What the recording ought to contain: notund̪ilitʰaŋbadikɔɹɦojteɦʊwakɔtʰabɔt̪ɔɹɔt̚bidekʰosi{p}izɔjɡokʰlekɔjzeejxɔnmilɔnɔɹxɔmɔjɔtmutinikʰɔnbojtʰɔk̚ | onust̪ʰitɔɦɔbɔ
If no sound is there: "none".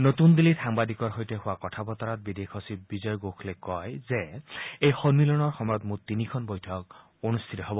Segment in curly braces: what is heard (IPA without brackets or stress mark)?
b